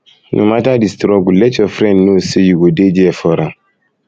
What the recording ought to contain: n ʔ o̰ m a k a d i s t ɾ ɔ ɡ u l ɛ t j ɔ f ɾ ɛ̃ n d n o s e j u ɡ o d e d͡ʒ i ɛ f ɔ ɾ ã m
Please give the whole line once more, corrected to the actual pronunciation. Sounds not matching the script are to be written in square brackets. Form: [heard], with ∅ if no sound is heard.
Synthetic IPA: n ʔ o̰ m a [t] a d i s t ɾ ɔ ɡ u l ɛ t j ɔ f ɾ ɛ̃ n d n o s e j u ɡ o d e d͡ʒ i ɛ f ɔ ɾ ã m